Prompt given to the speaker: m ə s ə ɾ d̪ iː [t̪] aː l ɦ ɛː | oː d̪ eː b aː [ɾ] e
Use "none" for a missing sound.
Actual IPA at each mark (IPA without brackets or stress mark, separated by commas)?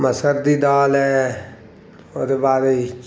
d̪, ɾ